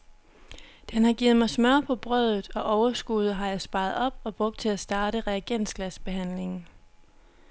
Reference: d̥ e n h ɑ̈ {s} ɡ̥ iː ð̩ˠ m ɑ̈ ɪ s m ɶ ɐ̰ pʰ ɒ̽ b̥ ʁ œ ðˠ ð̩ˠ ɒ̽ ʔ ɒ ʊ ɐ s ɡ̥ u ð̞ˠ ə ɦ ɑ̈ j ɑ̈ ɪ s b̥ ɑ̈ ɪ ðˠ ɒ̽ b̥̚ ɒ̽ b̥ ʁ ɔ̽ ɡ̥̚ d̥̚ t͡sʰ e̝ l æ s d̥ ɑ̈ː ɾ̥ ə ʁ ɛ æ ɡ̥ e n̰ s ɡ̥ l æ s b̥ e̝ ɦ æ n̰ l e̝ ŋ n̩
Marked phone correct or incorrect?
incorrect